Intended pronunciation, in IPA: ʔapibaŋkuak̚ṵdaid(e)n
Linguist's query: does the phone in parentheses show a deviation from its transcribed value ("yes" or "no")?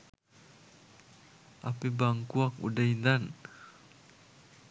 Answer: yes